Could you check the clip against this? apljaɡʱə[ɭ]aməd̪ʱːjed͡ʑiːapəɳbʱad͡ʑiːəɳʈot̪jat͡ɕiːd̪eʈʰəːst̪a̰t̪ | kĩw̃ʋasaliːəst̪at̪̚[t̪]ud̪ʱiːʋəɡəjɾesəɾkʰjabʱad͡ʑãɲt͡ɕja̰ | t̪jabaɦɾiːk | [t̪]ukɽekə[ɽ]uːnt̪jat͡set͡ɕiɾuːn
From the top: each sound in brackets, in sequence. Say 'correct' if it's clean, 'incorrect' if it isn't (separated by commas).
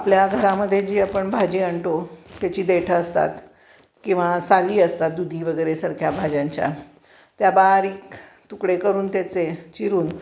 incorrect, incorrect, correct, incorrect